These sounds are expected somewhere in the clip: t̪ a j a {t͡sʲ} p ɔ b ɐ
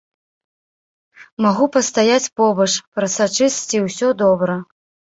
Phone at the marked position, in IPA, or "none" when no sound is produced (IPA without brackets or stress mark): t͡sʲ